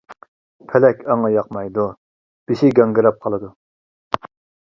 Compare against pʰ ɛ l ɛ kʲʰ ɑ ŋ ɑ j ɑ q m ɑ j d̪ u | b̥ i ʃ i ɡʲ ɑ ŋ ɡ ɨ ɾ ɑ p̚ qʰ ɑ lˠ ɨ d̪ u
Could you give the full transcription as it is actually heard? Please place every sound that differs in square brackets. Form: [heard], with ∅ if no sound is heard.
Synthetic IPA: pʰ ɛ l ɛ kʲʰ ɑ ŋ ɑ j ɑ q m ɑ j d̪ u | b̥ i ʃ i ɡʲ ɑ ŋ ɡ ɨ ɾ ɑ p̚ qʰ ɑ lˠ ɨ d̪ u